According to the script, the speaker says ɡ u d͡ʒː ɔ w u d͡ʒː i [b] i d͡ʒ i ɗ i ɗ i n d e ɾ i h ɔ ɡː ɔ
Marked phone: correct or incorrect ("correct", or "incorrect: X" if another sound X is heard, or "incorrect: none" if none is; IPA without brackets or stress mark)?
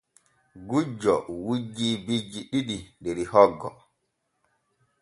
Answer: correct